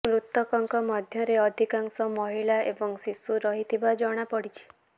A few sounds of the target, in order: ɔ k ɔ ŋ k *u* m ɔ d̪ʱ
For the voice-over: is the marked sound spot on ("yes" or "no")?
no